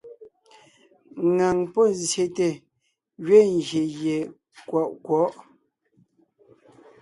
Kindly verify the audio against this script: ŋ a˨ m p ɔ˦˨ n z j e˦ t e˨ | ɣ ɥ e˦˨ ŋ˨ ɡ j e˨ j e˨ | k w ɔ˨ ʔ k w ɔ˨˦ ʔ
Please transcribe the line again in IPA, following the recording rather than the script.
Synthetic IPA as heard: ŋ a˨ ŋ p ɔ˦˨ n z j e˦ t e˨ | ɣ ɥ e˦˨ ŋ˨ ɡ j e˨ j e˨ | k w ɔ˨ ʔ k w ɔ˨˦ ʔ